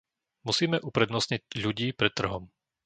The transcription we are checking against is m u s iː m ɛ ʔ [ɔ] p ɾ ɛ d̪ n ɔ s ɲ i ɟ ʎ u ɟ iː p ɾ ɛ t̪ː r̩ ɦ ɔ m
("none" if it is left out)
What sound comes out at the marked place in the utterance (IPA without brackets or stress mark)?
u